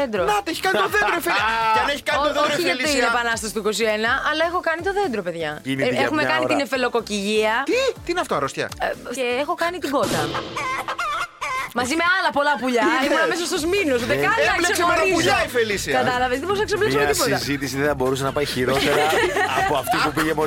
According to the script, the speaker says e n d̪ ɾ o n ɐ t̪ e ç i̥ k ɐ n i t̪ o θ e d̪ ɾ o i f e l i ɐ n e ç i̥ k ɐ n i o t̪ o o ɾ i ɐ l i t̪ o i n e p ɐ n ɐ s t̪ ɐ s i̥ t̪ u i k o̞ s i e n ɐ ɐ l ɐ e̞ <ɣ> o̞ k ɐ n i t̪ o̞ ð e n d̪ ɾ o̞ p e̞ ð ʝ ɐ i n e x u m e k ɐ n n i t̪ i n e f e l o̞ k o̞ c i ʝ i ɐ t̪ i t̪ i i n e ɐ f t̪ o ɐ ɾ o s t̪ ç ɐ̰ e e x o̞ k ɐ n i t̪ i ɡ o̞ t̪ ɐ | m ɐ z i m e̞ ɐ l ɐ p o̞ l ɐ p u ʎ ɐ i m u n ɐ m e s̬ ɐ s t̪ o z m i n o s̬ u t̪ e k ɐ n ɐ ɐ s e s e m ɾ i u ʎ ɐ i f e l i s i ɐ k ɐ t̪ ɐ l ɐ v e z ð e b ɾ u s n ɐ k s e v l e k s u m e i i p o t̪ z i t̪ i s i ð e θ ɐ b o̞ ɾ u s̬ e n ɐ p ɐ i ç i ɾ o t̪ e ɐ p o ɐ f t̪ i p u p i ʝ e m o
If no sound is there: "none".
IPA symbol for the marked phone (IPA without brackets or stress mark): x